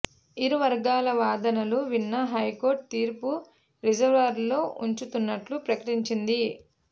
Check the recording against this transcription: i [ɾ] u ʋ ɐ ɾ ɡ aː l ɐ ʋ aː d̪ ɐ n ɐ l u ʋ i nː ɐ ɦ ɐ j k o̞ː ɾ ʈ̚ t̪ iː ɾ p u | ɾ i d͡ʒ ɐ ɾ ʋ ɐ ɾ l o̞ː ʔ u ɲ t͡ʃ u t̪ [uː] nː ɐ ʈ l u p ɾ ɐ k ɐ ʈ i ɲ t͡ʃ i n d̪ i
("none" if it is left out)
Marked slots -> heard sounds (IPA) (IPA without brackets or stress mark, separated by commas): ɾ, u